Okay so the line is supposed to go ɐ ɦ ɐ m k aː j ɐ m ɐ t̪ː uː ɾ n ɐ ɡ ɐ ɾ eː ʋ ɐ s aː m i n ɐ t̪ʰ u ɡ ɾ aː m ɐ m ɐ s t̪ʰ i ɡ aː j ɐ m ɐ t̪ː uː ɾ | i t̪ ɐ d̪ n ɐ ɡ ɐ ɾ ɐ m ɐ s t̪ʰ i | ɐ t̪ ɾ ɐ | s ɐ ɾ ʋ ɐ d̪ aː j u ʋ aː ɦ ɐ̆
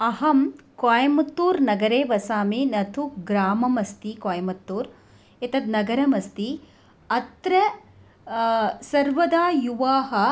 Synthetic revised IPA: ɐ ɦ ɐ m k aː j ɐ m ɐ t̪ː uː ɾ n ɐ ɡ ɐ ɾ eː ʋ ɐ s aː m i n ɐ t̪ʰ u ɡ ɾ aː m ɐ m ɐ s t̪ i k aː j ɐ m ɐ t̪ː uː ɾ | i t̪ ɐ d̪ n ɐ ɡ ɐ ɾ ɐ m ɐ s t̪ i | ɐ t̪ ɾ ɐ | s ɐ ɾ ʋ ɐ d̪ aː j u ʋ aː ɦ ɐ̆